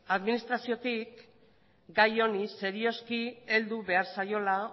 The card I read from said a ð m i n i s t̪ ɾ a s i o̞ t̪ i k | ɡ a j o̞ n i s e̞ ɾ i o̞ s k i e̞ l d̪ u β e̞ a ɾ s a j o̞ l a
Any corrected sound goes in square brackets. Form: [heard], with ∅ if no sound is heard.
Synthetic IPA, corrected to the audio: a ð m i n i s t̪ ɾ a s i o̞ t̪ i k | ɡ a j o̞ n i s e̞ ɾ i o̞ s k i e̞ l d̪ u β e̞ a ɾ s a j o̞ l a

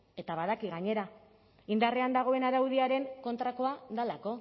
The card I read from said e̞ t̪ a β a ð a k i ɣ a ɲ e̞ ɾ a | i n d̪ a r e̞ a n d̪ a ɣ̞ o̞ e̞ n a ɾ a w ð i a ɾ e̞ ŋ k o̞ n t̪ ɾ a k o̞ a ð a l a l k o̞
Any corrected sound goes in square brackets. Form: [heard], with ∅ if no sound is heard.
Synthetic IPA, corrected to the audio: e̞ t̪ a β a ð a k i ɣ a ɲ e̞ ɾ a | i n d̪ a r e̞ a n d̪ a ɣ̞ o̞ e̞ n a ɾ a w ð i a ɾ e̞ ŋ k o̞ n t̪ ɾ a k o̞ a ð a l a [∅] k o̞

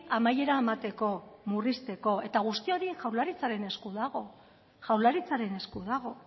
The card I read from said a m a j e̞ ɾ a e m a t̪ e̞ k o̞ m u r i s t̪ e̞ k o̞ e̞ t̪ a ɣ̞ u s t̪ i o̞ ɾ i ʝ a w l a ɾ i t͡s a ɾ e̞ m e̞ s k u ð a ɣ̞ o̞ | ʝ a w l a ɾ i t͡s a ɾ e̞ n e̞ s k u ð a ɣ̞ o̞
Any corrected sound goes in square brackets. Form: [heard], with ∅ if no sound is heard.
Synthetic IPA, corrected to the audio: a m a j e̞ ɾ a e m a t̪ e̞ k o̞ m u r i s t̪ e̞ k o̞ e̞ t̪ a ɣ̞ u s t̪ i o̞ ɾ i ʝ a w l a ɾ i t͡s a ɾ e̞ [n] e̞ s k u ð a ɣ̞ o̞ | ʝ a w l a ɾ i t͡s a ɾ e̞ n e̞ s k u ð a ɣ̞ o̞

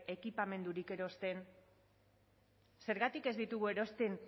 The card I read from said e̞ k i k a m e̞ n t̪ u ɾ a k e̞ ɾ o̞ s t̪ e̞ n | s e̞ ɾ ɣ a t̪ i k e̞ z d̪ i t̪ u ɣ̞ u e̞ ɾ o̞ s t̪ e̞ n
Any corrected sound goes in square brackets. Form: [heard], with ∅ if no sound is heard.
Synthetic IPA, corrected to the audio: e̞ k i [p] a m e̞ n [d̪] u ɾ [i] k e̞ ɾ o̞ s t̪ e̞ n | s e̞ ɾ ɣ a t̪ i k e̞ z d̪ i t̪ u ɣ̞ u e̞ ɾ o̞ s t̪ e̞ n

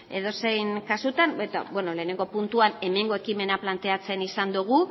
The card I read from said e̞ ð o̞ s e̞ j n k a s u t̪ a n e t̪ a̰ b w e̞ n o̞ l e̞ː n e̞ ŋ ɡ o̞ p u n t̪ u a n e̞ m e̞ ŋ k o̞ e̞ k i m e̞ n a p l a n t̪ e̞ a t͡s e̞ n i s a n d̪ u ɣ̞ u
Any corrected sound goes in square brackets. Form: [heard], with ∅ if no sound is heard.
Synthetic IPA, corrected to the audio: e̞ ð o̞ s e̞ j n k a s u t̪ a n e t̪ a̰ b w e̞ n o̞ l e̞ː n e̞ ŋ ɡ o̞ p u n t̪ u a n e̞ m e̞ ŋ [ɡ] o̞ e̞ k i m e̞ n a p l a n t̪ e̞ a t͡s e̞ n i s a n d̪ u ɣ̞ u

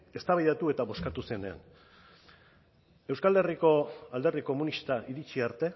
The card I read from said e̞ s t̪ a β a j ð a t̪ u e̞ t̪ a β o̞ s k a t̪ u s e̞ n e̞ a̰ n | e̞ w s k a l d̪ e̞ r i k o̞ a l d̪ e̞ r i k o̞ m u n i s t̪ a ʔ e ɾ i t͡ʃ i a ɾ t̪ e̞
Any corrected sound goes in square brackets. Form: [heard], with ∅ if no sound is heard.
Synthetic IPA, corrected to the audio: e̞ s t̪ a β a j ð a t̪ u e̞ t̪ a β o̞ s k a t̪ u s e̞ n e̞ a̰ n | e̞ w s k a l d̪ e̞ r i k o̞ a l d̪ e̞ r i k o̞ m u n i s t̪ a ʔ [i] ɾ i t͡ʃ i a ɾ t̪ e̞

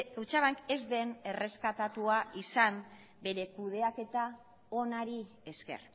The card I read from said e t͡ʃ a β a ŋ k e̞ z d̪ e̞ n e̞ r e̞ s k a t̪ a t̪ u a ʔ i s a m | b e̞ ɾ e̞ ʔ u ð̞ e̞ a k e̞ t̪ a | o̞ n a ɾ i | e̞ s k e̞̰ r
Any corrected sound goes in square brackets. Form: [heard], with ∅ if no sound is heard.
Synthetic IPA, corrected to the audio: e t͡ʃ a β a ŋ k e̞ z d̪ e̞ n e̞ r e̞ s k a t̪ a t̪ u a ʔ i s a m | b e̞ ɾ e̞ [k] u ð̞ e̞ a k e̞ t̪ a | o̞ n a ɾ i | e̞ s k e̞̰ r

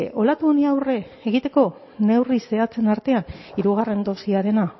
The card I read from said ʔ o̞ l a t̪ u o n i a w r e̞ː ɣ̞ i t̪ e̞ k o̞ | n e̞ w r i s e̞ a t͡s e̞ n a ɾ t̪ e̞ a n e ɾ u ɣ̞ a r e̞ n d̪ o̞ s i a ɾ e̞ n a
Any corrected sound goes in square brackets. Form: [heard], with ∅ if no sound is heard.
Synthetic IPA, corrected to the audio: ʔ o̞ l a t̪ u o n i a w r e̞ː ɣ̞ i t̪ e̞ k o̞ | n e̞ w r i s e̞ a t͡s e̞ n a ɾ t̪ e̞ a n [i] ɾ u ɣ̞ a r e̞ n d̪ o̞ s i a ɾ e̞ n a

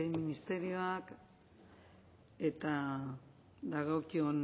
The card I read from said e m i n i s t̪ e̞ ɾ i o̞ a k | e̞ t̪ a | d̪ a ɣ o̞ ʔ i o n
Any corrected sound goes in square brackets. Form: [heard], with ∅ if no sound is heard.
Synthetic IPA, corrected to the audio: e m i n i s t̪ e̞ ɾ i o̞ a k | e̞ t̪ a | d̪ a ɣ o̞ [k] i o n

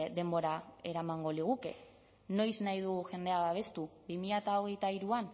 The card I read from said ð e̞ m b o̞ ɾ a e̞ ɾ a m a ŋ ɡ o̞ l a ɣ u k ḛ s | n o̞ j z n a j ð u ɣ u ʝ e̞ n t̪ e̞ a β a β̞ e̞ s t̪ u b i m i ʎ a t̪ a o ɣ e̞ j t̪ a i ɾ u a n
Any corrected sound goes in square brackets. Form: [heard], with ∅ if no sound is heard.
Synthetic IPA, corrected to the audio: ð e̞ m b o̞ ɾ a e̞ ɾ a m a ŋ ɡ o̞ l [i] ɣ u k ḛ [∅] | n o̞ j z n a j ð u ɣ u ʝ e̞ n [d̪] e̞ a β a β̞ e̞ s t̪ u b i m i ʎ a t̪ a o ɣ e̞ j t̪ a i ɾ u a n

